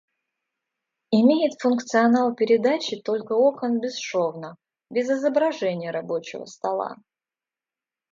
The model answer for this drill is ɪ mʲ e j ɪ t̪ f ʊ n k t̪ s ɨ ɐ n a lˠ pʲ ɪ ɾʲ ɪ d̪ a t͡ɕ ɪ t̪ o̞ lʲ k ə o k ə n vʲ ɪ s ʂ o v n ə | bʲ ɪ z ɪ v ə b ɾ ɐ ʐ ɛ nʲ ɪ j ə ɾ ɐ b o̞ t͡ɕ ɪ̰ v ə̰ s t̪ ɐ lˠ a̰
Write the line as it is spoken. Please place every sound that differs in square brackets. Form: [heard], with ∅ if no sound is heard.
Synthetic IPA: ɪ mʲ e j ɪ t̪ f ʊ n k t̪ s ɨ ɐ n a lˠ pʲ ɪ ɾʲ ɪ d̪ a t͡ɕ ɪ t̪ o̞ lʲ k ə o k ə n [bʲ] ɪ s ʂ o v n ə | bʲ ɪ z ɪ [z] ə b ɾ ɐ ʐ ɛ nʲ ɪ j ə ɾ ɐ b o̞ t͡ɕ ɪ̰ v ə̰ s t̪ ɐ lˠ a̰